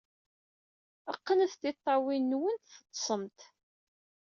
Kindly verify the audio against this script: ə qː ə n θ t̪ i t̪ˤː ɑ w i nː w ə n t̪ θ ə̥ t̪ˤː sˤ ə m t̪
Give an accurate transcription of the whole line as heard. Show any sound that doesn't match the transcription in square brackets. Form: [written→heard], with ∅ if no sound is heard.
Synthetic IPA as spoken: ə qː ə n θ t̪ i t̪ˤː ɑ w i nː w ə n t̪ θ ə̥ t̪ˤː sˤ ə m t̪